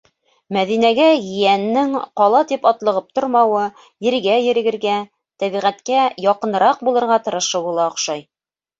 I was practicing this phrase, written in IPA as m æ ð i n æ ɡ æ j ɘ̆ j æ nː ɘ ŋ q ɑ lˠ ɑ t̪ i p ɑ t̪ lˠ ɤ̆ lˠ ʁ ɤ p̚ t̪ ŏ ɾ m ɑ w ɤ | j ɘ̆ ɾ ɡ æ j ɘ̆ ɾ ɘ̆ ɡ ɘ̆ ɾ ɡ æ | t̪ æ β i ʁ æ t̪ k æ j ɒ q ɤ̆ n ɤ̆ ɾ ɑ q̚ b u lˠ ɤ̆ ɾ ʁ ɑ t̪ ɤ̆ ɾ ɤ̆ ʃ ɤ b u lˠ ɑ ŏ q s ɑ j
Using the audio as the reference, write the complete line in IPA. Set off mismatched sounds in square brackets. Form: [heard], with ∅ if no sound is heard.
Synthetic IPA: m æ ð i n æ ɡ æ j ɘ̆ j æ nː ɘ ŋ q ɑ lˠ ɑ t̪ i p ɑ t̪ lˠ ɤ̆ [∅] ʁ ɤ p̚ t̪ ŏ ɾ m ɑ w ɤ | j ɘ̆ ɾ ɡ æ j ɘ̆ ɾ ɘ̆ ɡ ɘ̆ ɾ ɡ æ | t̪ æ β i ʁ æ t̪ k æ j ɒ q ɤ̆ n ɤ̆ ɾ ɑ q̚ b u lˠ ɤ̆ ɾ ʁ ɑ t̪ ɤ̆ ɾ ɤ̆ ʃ ɤ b u lˠ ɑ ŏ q [ʃ] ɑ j